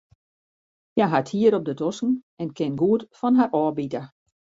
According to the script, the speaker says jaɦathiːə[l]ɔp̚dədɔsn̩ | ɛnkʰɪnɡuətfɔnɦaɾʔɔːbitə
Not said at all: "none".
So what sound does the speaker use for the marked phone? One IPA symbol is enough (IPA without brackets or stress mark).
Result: ɾ